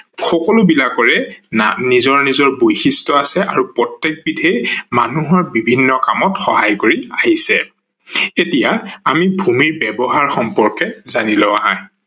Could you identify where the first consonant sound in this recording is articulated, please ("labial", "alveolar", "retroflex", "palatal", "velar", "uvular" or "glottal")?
velar